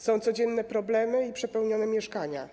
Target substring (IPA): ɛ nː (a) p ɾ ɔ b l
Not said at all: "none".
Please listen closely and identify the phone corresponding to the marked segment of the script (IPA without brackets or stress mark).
ɛ